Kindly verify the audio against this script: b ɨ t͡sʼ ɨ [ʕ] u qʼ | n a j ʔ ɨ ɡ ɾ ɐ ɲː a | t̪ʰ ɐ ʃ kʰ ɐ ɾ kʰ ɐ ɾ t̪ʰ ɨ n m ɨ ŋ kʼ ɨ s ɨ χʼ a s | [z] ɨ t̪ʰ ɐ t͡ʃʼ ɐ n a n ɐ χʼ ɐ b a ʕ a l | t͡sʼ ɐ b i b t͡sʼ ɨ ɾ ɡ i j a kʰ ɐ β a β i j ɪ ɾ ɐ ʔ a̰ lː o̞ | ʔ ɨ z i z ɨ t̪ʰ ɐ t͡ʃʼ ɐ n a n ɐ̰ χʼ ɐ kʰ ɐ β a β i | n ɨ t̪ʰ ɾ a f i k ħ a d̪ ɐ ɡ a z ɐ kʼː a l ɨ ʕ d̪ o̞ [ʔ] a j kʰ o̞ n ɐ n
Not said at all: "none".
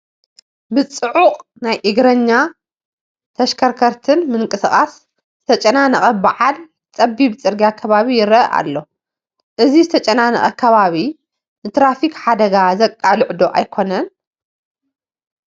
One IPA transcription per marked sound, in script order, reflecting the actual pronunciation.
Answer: ʕ, z, ʔ

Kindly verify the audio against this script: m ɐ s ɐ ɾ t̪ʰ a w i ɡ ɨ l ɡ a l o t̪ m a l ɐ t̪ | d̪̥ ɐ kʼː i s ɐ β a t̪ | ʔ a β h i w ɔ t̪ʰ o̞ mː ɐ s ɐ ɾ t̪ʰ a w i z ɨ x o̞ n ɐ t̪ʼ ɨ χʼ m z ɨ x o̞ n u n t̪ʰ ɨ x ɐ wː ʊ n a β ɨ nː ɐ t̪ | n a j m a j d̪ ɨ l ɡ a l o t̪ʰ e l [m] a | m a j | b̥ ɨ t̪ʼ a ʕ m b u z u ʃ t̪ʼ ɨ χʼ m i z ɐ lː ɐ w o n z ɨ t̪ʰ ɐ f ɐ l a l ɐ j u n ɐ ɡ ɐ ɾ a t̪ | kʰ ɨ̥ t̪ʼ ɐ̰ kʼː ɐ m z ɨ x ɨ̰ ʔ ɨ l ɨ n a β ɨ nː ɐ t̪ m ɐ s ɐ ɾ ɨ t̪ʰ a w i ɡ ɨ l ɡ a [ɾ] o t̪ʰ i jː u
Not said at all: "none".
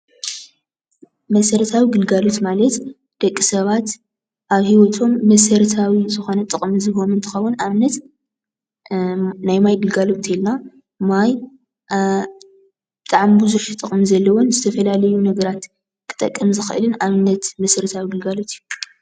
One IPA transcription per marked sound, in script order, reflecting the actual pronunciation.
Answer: n, l

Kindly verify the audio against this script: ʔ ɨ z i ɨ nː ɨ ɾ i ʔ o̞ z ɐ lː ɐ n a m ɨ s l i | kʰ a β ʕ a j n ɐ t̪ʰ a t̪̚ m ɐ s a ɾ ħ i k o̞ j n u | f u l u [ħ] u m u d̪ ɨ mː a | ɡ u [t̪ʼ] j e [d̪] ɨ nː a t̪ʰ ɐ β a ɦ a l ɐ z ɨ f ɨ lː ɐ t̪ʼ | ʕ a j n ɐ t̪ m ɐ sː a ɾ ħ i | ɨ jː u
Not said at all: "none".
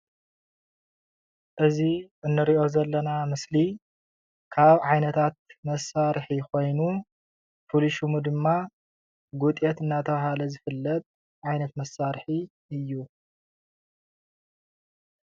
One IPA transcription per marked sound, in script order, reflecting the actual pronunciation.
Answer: ʃ, t̪ʼ, t̪

